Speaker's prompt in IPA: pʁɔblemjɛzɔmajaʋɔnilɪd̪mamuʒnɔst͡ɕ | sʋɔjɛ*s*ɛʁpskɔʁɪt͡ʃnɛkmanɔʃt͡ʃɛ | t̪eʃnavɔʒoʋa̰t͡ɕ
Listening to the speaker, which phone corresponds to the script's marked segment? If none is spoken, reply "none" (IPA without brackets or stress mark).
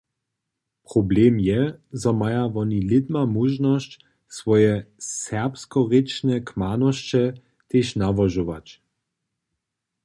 s